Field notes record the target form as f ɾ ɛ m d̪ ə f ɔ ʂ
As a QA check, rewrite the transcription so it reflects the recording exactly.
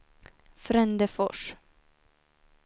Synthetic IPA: f ɾ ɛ n d̪ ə f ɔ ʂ